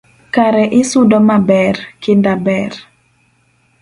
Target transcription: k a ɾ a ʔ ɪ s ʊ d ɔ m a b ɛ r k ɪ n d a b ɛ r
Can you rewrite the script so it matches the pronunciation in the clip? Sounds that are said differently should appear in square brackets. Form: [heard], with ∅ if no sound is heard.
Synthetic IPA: k a ɾ [ɛ] ʔ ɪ s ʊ d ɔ m a b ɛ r k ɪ n d a b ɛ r

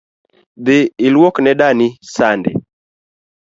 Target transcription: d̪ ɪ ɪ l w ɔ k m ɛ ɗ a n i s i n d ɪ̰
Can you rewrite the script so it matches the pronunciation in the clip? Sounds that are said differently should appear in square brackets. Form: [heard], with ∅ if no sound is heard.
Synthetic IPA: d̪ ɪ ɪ l w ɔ k [n] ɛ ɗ a n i s [a] n d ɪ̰

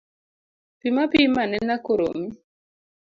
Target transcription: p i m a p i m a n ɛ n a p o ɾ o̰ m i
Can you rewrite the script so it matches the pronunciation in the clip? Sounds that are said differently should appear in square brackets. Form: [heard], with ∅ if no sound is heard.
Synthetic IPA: p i m a p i m a n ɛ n a [k] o ɾ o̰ m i

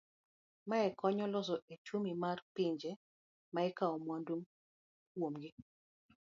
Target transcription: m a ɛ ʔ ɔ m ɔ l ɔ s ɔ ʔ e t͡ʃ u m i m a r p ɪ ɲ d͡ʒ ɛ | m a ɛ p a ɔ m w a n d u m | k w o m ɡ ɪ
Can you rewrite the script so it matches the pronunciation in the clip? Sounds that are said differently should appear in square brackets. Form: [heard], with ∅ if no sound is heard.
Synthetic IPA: m a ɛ [k] ɔ [ɲ] ɔ l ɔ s ɔ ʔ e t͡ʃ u m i m a r p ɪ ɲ d͡ʒ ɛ | m a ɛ [k] a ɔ m w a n d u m | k w o m ɡ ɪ

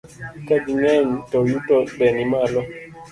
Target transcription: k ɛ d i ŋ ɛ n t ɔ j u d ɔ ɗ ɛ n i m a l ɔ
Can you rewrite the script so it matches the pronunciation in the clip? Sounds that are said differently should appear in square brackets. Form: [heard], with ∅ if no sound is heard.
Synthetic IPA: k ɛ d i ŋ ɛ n t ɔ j u [t] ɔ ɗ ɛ n i m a l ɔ

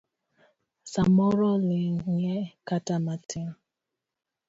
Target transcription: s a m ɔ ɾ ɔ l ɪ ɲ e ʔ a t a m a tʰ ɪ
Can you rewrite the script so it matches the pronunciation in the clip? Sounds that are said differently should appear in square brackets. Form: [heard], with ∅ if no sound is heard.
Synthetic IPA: s a m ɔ ɾ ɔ l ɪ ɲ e [k] a t a m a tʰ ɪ

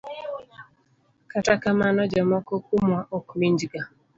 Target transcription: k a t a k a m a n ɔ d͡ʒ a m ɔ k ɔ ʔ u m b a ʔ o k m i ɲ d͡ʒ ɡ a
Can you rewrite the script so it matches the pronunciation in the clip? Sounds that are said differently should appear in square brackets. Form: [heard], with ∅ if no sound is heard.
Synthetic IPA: k a t a k a m a n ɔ d͡ʒ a m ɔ k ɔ [k] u m [w] a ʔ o k m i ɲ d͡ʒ ɡ a

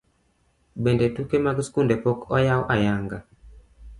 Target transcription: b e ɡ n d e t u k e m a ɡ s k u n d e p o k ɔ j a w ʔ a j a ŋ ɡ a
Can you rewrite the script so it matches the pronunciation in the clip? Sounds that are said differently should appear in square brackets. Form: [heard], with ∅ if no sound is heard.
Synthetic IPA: b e [∅] n d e t u k e m a ɡ s k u n d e p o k ɔ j a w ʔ a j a ŋ ɡ a

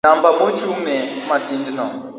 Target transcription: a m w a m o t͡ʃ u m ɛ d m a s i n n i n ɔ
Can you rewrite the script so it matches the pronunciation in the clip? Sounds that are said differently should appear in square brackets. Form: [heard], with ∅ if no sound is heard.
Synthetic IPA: a m [b] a m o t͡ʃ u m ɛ [∅] m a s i n [d] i n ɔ

